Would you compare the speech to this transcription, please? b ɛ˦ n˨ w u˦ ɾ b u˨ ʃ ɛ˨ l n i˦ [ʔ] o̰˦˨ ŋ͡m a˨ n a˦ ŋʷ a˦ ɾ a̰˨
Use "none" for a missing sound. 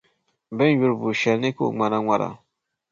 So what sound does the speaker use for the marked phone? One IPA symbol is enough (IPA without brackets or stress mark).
k